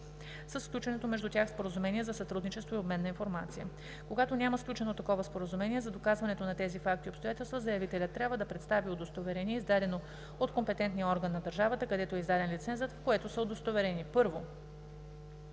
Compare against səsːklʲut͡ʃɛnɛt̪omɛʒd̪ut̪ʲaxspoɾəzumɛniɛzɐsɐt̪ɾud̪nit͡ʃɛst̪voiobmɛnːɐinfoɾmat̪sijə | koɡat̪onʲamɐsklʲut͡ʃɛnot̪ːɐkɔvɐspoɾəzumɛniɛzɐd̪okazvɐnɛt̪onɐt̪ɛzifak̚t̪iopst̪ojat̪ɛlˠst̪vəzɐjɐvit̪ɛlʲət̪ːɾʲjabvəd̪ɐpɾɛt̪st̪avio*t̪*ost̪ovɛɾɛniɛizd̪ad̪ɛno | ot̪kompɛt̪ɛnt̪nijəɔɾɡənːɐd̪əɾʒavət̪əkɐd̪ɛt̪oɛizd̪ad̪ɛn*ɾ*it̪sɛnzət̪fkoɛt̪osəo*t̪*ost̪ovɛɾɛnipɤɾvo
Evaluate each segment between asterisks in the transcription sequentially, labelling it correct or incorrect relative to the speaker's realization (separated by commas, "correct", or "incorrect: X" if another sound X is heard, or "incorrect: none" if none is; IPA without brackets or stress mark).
incorrect: d̪, incorrect: l, incorrect: d̪